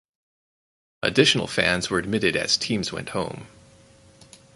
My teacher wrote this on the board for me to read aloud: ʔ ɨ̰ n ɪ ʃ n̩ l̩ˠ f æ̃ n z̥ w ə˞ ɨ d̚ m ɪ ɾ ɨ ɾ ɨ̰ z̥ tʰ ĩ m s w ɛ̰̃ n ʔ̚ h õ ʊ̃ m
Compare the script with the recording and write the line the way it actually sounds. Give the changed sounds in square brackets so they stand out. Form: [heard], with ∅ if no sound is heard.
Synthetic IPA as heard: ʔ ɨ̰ [d] ɪ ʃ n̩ l̩ˠ f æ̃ n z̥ w ə˞ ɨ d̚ m ɪ ɾ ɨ ɾ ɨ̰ z̥ tʰ ĩ m [z] w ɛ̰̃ n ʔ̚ h õ ʊ̃ m